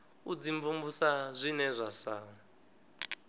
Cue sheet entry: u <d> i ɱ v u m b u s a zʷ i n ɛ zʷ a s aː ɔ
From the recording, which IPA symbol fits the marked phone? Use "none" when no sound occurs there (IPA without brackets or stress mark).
d͡z